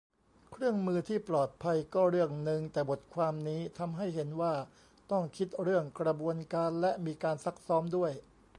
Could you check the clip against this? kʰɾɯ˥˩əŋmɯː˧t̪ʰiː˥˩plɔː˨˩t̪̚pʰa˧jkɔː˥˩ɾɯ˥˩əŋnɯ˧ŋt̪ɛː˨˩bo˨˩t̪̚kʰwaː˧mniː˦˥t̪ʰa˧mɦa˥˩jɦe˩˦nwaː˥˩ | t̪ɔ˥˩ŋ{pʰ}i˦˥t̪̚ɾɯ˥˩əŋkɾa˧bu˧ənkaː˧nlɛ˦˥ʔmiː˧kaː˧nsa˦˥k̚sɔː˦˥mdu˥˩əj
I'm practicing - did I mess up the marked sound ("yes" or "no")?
yes